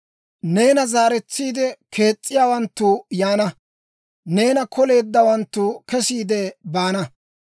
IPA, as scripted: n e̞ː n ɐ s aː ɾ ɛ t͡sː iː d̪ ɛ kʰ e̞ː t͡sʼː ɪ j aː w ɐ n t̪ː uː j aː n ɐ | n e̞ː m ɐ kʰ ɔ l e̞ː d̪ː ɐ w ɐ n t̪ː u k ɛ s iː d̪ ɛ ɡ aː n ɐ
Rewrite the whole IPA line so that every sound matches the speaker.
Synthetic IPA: n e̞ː n ɐ z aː ɾ ɛ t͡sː iː d̪ ɛ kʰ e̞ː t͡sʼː ɪ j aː w ɐ n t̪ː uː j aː n ɐ | n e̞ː n ɐ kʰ ɔ l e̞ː d̪ː ɐ w ɐ n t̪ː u k ɛ s iː d̪ ɛ b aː n ɐ